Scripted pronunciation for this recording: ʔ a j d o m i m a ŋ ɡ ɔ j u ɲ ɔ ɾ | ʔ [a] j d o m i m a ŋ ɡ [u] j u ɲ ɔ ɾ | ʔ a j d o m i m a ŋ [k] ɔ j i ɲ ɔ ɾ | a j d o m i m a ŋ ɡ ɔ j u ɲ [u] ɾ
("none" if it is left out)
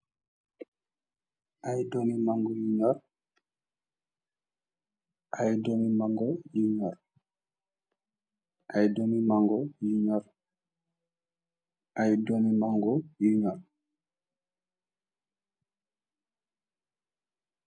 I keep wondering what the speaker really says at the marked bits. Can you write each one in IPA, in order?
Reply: a, ɔ, ɡ, ɔ

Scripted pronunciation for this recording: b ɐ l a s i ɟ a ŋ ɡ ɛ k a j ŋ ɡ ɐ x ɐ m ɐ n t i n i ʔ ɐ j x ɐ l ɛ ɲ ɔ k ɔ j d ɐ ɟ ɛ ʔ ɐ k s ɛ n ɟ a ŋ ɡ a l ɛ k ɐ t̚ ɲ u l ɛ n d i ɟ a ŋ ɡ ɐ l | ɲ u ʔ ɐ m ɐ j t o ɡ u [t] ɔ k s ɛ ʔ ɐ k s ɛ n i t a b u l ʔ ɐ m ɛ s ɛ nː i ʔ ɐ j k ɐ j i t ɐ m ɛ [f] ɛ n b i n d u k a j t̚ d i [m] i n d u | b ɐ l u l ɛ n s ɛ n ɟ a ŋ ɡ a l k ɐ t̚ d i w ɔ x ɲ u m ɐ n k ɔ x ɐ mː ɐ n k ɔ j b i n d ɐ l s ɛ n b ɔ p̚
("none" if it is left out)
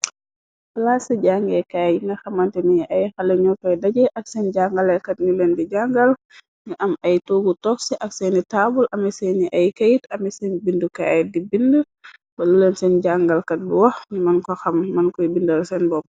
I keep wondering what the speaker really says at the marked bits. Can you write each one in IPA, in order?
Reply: t, s, b

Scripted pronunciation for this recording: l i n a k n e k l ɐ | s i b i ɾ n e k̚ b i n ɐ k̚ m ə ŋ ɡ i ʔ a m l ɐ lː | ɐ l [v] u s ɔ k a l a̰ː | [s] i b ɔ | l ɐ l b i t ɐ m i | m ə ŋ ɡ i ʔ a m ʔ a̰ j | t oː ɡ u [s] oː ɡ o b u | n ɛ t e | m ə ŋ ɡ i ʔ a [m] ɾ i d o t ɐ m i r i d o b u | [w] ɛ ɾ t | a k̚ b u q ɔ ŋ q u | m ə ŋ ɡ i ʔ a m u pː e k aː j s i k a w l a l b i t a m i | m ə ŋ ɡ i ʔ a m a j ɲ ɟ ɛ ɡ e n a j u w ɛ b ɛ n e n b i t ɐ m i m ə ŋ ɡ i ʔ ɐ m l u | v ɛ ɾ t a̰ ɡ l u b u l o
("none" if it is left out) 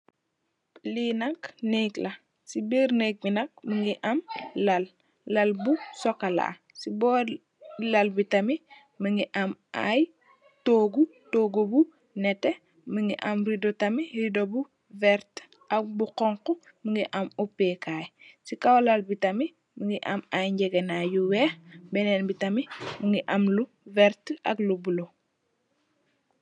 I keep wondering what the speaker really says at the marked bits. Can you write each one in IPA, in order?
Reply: b, s, t, m, v

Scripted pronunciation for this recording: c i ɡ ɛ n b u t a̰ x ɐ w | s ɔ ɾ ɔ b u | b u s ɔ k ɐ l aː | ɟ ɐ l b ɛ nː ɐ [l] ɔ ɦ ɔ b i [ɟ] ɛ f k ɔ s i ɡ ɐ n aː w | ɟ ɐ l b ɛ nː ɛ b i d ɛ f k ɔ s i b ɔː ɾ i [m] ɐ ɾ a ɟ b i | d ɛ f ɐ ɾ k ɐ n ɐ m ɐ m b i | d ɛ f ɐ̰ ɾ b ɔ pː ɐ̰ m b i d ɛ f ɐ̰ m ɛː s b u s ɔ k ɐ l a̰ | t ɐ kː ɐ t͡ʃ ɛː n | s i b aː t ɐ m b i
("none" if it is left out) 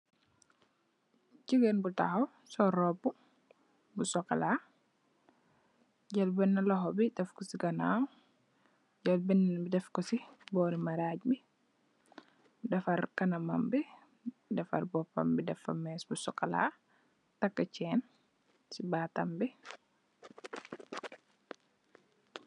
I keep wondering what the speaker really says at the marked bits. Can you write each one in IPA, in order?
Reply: l, d, m

